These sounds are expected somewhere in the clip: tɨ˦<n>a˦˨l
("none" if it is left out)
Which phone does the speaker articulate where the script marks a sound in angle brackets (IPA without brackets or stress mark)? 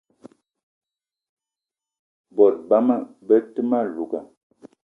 m